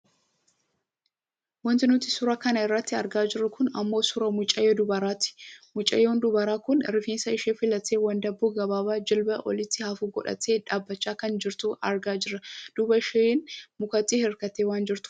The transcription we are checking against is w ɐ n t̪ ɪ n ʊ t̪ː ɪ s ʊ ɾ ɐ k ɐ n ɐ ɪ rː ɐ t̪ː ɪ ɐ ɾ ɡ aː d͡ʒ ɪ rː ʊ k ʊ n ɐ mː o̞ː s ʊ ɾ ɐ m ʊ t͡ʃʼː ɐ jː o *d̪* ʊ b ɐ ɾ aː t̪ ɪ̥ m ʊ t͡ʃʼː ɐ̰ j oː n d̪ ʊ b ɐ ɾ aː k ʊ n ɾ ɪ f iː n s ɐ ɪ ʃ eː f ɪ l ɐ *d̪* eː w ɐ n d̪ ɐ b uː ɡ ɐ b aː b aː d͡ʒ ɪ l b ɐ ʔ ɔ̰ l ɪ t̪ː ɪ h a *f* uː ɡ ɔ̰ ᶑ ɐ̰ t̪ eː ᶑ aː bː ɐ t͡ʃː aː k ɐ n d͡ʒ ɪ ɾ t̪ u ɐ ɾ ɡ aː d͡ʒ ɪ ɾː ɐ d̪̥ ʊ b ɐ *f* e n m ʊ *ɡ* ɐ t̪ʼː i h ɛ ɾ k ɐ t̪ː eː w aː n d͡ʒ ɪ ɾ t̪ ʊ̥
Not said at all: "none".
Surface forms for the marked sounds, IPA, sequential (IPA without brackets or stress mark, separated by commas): d̪, t̪, f, ʃ, k